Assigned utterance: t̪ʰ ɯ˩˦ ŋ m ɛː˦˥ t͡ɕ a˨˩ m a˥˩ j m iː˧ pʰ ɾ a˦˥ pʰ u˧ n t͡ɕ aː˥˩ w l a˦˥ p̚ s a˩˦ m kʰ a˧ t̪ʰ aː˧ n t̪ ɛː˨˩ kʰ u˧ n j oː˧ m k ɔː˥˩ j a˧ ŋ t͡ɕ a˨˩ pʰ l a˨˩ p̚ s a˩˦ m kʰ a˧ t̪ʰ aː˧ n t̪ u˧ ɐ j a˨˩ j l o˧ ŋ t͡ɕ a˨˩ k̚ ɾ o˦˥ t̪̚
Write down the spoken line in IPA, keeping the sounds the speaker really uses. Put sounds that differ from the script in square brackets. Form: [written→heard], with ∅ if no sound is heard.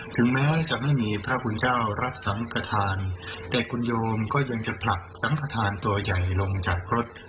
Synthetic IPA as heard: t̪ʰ ɯ˩˦ ŋ m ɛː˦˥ t͡ɕ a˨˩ m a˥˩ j m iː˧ pʰ ɾ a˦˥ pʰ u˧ n t͡ɕ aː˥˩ w [l→ɾ] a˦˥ p̚ s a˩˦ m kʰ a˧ t̪ʰ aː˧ n t̪ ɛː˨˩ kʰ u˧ n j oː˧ m k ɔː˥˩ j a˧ ŋ t͡ɕ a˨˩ pʰ l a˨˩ [p̚→k̚] s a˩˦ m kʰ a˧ t̪ʰ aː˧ n t̪ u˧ ɐ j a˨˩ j l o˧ ŋ t͡ɕ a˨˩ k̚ ɾ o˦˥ t̪̚